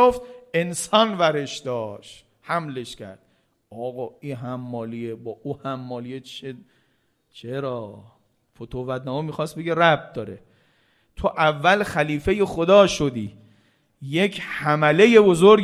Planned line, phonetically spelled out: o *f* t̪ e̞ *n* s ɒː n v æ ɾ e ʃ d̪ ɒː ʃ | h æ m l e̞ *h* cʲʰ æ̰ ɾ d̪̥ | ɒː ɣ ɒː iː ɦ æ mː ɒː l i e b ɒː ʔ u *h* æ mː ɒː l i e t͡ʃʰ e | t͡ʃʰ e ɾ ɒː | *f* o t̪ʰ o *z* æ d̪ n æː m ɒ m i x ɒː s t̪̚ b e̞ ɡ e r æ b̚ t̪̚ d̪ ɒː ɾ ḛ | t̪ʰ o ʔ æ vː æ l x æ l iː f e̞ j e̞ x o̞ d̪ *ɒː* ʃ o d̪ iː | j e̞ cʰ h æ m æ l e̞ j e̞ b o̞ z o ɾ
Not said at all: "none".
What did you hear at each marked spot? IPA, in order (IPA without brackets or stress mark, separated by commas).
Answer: f, n, ʃ, h, f, v, ɒː